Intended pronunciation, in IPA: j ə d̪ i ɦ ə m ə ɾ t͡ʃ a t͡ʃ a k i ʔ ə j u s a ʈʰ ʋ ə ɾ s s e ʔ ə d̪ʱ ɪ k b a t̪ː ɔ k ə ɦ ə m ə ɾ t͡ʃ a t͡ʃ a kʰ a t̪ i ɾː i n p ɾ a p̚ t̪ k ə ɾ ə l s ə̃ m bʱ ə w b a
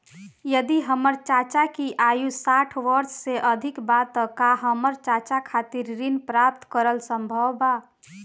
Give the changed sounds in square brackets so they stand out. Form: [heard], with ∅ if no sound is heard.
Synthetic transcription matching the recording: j ə d̪ i ɦ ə m ə ɾ t͡ʃ a t͡ʃ a k i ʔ [a] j u s a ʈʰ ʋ ə ɾ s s e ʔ ə d̪ʱ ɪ k b a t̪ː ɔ k [a] ɦ ə m ə ɾ t͡ʃ a t͡ʃ a kʰ a t̪ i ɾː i n p ɾ a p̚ t̪ k ə ɾ ə l s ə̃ m bʱ ə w b a